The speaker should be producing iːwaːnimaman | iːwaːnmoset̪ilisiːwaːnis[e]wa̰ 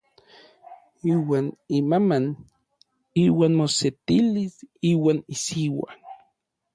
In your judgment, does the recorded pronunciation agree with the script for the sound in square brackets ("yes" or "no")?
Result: no